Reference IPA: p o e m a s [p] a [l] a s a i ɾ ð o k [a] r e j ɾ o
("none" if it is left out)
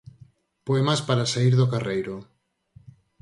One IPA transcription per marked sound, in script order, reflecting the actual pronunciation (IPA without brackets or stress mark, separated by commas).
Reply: p, ɾ, a